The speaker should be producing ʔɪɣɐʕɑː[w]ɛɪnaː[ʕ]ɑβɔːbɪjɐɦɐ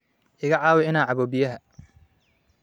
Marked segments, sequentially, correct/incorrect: correct, correct

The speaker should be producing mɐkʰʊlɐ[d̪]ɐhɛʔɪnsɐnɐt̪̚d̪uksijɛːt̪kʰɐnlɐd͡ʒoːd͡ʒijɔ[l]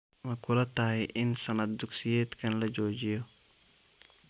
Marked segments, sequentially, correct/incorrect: incorrect, incorrect

